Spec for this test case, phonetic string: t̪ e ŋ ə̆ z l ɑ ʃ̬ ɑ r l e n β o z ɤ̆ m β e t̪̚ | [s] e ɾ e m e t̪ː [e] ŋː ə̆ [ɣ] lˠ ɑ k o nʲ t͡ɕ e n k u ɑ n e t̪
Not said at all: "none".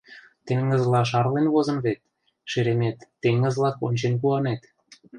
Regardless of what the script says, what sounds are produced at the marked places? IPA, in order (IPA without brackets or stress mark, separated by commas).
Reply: ʃ, e, z